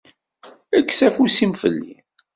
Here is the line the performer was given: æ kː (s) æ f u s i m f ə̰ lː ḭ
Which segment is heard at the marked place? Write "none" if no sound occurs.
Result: s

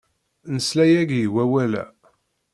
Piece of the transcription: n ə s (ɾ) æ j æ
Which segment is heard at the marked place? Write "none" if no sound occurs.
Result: l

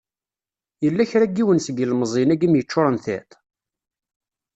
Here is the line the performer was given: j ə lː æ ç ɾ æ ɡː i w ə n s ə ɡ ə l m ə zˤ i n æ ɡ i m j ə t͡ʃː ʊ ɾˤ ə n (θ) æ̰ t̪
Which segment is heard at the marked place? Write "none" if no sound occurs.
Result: θ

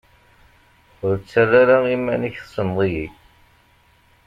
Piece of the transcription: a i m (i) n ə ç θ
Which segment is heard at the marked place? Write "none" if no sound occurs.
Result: æ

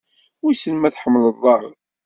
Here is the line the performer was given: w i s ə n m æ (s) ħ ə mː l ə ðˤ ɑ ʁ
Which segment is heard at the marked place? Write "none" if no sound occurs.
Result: θ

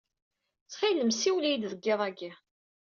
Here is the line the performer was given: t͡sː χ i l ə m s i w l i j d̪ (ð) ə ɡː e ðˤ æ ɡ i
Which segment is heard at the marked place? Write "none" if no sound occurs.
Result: ð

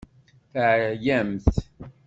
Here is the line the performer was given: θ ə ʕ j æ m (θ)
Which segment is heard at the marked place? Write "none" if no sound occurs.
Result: θ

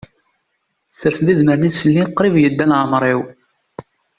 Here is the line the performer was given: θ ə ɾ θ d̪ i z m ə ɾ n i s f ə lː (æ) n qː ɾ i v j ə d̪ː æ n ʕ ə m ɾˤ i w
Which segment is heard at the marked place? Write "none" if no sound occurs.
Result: i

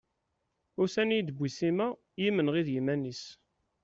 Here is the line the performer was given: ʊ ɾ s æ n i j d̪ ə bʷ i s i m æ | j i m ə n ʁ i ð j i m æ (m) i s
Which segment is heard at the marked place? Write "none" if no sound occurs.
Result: n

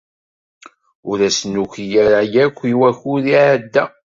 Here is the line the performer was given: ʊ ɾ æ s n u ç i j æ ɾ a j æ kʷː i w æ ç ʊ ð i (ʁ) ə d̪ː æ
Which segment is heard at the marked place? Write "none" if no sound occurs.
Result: ʕ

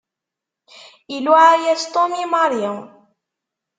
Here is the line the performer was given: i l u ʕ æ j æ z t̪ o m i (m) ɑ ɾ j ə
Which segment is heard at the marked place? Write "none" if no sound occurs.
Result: m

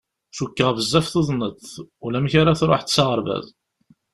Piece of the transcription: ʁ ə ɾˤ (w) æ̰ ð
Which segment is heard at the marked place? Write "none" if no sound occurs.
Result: v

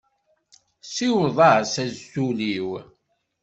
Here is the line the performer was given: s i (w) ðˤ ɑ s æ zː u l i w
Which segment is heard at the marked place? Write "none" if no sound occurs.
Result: w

